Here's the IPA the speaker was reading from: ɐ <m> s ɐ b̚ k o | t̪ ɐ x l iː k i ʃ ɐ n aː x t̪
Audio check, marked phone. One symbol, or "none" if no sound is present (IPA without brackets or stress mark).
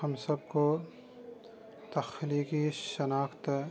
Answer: m